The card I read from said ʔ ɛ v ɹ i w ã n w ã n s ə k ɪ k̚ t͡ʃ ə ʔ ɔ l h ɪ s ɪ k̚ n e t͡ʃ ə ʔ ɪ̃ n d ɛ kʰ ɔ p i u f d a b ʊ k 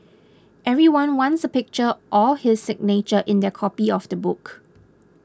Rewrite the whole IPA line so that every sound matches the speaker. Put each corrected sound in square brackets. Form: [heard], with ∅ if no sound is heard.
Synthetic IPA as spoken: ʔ ɛ v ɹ i w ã n w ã n s ə [p] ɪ k̚ t͡ʃ ə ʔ ɔ l h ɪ s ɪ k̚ n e t͡ʃ ə ʔ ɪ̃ n d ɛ kʰ ɔ p i [ɔ] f d [ə] b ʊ k